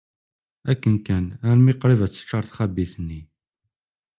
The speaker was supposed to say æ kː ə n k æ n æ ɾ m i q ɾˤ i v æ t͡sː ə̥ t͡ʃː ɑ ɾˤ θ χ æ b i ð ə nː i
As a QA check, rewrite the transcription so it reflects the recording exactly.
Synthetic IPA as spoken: æ kː ə n k æ n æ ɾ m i q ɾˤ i v æ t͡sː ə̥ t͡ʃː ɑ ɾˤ θ χ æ b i θ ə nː i